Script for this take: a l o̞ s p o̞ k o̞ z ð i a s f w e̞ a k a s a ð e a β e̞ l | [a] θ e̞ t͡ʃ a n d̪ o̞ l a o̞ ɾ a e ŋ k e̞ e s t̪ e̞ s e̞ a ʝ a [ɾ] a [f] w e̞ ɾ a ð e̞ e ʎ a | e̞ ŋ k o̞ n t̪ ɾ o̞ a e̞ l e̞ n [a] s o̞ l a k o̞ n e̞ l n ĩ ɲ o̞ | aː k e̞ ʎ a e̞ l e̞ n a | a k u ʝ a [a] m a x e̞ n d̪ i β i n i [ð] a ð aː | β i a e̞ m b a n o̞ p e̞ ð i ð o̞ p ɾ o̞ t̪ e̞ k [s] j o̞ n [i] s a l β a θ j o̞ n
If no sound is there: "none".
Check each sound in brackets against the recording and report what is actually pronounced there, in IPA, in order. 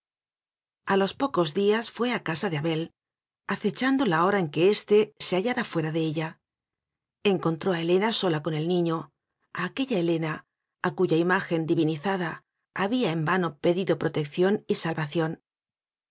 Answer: a, ɾ, f, a, i, θ, θ, i

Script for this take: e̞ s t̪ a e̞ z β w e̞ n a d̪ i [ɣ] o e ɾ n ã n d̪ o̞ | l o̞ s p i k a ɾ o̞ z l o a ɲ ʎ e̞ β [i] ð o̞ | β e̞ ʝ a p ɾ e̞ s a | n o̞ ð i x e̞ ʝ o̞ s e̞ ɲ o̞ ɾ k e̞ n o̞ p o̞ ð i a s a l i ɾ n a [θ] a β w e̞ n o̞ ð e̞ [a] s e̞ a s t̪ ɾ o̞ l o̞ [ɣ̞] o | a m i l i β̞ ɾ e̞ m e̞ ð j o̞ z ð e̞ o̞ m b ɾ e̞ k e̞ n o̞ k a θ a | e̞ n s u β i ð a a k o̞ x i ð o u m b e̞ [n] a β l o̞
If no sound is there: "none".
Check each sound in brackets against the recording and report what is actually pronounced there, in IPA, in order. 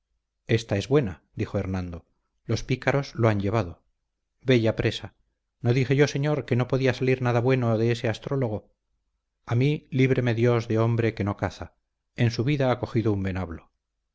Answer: x, a, ð, e, ɣ̞, n

